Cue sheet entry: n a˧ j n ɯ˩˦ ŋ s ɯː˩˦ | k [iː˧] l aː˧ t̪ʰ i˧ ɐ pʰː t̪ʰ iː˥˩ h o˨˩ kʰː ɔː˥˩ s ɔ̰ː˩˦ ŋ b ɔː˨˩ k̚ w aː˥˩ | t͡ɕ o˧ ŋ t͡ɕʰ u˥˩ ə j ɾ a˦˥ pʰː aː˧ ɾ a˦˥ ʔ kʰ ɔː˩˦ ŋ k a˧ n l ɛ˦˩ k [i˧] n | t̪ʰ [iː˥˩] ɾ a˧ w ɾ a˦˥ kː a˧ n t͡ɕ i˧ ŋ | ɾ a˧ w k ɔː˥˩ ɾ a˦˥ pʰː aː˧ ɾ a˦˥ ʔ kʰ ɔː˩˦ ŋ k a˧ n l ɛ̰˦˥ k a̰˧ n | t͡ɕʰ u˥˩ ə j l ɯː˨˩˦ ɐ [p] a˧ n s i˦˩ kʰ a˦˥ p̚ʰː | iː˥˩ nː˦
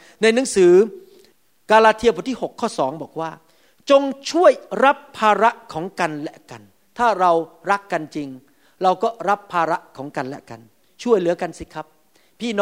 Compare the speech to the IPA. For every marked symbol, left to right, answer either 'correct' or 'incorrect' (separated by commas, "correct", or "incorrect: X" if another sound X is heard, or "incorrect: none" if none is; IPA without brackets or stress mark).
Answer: incorrect: aː˧, incorrect: a˧, incorrect: aː˥˩, incorrect: k